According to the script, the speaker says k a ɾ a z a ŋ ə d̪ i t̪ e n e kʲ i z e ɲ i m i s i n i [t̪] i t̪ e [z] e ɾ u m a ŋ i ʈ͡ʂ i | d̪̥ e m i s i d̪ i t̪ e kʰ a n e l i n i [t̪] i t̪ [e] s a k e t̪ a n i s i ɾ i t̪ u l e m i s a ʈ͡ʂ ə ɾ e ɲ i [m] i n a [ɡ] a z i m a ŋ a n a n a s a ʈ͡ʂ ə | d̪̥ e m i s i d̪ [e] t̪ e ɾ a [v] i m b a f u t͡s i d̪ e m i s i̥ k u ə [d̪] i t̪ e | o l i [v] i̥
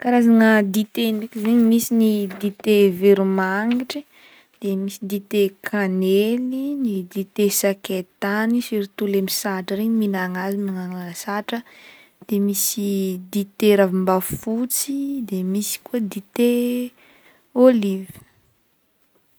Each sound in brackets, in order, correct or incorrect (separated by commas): incorrect, incorrect, incorrect, correct, correct, incorrect, incorrect, correct, correct, correct